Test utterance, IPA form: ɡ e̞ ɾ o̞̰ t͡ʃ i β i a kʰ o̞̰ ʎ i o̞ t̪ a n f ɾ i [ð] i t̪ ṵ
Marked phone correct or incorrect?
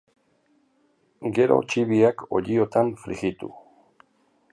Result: incorrect